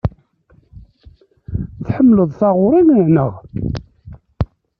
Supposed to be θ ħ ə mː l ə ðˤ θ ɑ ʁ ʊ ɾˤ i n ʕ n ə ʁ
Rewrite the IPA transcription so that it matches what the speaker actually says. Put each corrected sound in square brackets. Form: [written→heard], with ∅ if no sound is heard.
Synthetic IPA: θ ħ ə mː l ə ðˤ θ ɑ ʁ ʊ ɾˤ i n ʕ n ə ʁ